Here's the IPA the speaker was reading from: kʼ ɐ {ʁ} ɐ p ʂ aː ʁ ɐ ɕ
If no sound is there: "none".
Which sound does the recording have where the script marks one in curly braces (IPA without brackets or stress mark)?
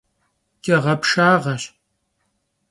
ʁ